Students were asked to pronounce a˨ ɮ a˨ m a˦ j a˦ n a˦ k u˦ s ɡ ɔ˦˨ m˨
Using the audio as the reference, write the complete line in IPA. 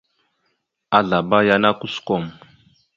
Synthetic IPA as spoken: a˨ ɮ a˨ b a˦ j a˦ n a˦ k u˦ s k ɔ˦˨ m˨